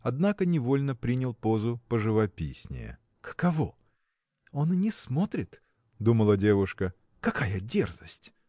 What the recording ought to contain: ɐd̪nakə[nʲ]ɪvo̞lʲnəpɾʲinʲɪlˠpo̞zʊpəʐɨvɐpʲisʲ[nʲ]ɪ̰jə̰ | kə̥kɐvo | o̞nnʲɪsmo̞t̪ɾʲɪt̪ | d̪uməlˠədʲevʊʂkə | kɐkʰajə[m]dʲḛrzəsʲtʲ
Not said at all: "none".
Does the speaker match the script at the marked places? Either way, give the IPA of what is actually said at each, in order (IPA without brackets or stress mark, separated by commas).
nʲ, nʲ, none